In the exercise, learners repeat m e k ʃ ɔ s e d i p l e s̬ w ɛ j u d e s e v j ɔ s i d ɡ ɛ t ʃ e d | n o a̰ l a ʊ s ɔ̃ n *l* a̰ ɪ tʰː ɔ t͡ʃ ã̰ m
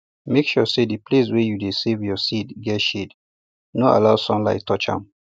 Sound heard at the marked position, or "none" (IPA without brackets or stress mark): l